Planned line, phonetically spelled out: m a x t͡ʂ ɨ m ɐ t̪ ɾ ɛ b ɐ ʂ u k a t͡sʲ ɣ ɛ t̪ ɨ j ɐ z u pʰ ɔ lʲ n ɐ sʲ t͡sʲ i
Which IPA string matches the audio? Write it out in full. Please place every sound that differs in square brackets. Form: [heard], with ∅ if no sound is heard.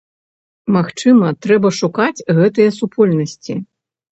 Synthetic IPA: m a x t͡ʂ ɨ m ɐ t̪ ɾ ɛ b ɐ ʂ u k a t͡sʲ ɣ ɛ t̪ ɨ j ɐ [s] u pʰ ɔ lʲ n ɐ sʲ t͡sʲ i

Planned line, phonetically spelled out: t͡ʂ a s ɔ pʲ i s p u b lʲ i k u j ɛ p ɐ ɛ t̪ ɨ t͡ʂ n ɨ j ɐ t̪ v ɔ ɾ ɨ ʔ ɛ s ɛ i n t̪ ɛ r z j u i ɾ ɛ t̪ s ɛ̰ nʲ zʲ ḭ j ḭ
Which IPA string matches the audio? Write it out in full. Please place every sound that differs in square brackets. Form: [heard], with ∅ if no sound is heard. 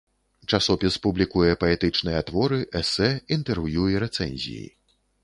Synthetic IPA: t͡ʂ a s ɔ pʲ i s p u b lʲ i k u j ɛ p ɐ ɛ t̪ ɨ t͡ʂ n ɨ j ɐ t̪ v ɔ ɾ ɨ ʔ ɛ s ɛ i n t̪ ɛ r [v] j u i ɾ ɛ t̪ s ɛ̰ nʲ zʲ ḭ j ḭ

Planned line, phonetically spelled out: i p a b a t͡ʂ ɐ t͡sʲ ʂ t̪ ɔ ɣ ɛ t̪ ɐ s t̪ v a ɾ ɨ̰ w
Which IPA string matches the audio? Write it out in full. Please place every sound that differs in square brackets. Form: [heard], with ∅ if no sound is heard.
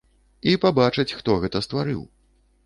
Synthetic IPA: i p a b a t͡ʂ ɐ t͡sʲ [x] t̪ ɔ ɣ ɛ t̪ ɐ s t̪ v a ɾ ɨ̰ w

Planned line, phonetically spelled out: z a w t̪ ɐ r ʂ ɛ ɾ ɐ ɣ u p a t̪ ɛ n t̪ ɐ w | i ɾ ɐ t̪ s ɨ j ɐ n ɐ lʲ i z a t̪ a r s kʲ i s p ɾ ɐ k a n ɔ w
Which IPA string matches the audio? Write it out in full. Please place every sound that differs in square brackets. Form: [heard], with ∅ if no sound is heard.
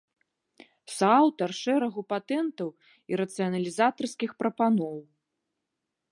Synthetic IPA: [s] a w t̪ ɐ r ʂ ɛ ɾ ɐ ɣ u p a t̪ ɛ n t̪ ɐ w | i ɾ ɐ t̪ s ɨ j ɐ n ɐ lʲ i z a t̪ [ɐ] r s kʲ i [x] p ɾ ɐ [p] a n ɔ w

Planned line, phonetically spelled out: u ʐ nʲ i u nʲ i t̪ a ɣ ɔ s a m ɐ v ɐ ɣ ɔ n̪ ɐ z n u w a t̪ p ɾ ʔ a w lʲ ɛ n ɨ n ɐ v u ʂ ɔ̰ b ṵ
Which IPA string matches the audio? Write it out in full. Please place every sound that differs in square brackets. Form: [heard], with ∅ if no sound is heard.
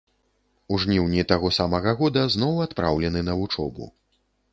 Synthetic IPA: u ʐ nʲ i [w] nʲ i t̪ a ɣ ɔ s a m ɐ [ɣ] ɐ ɣ ɔ [d̪] ɐ z n [ɔ] w a t̪ p ɾ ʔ a w lʲ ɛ n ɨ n ɐ v u [t͡ʂ] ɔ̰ b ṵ

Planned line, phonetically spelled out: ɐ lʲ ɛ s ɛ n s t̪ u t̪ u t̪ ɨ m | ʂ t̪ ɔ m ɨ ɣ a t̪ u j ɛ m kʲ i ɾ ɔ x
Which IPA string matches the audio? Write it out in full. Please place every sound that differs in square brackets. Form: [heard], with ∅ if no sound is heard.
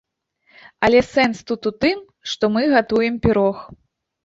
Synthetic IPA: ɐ lʲ ɛ s ɛ n s t̪ u t̪ u t̪ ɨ m | ʂ t̪ ɔ m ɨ ɣ a t̪ u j ɛ m [pʲ] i ɾ ɔ x

